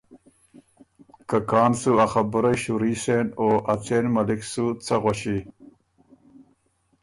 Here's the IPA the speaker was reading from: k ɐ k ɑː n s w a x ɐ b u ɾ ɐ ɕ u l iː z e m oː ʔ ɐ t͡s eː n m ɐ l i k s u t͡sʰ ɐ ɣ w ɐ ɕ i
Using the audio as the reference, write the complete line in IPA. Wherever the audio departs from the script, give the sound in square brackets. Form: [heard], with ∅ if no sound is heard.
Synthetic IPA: k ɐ k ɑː n s [u] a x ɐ b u ɾ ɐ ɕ u [ɾ] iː [s] e [n] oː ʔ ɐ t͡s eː n m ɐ l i k s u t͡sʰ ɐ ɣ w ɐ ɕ i

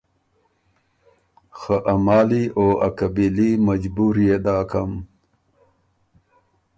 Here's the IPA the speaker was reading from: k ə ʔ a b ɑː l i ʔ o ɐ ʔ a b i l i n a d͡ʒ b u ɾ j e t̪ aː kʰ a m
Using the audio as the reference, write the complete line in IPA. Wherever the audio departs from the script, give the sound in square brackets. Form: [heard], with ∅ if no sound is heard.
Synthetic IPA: [x] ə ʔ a [m] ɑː l i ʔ o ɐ [k] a b i l i [m] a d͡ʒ b u ɾ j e [d̪] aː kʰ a m

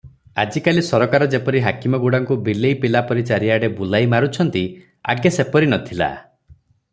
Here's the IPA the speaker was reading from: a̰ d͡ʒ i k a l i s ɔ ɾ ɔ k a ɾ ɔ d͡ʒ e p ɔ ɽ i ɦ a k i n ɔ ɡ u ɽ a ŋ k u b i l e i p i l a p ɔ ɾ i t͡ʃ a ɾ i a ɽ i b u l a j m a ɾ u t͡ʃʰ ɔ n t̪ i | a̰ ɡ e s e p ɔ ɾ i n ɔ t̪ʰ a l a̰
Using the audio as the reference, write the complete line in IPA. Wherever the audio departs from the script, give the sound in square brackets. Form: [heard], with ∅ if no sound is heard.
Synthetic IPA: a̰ d͡ʒ i k a l i s ɔ ɾ ɔ k a ɾ ɔ d͡ʒ e p ɔ [ɾ] i ɦ a k i [m] ɔ ɡ u ɽ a ŋ k u b i l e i p i l a p ɔ ɾ i t͡ʃ a ɾ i a ɽ [e] b u l a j m a ɾ u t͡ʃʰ ɔ n t̪ i | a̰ ɡ e s e p ɔ ɾ i n ɔ t̪ʰ [i] l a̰

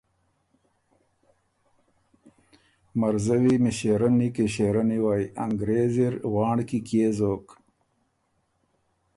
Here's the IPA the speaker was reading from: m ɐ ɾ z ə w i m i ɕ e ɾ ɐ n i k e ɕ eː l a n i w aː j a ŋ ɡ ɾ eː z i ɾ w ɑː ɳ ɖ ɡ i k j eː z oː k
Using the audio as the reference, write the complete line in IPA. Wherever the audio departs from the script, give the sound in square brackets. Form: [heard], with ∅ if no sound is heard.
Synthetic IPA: m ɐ ɾ z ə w i m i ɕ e ɾ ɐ n i k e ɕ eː [ɾ] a n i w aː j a ŋ ɡ ɾ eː z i ɾ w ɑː ɳ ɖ [k] i k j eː z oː k

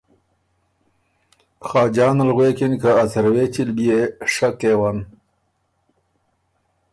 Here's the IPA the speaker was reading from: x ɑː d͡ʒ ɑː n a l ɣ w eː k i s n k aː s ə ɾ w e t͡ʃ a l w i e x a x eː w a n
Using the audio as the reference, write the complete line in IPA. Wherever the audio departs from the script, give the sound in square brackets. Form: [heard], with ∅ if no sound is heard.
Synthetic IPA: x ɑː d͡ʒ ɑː n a l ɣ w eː k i [∅] n k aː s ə ɾ w e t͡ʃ [i] l [b] i e [ʂ] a [k] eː w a n

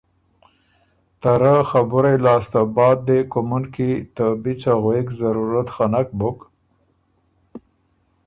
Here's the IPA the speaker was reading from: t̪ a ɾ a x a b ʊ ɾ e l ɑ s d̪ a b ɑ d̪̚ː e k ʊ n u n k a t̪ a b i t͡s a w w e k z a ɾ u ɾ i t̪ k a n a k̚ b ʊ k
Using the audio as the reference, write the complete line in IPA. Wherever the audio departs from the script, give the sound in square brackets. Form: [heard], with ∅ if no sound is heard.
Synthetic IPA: t̪ a ɾ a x a b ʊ ɾ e l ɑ s [t̪] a b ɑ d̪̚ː e k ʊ [m] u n k [i] t̪ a b i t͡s a [ɣ] w e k z a ɾ u ɾ [a] t̪ [x] a n a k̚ b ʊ k

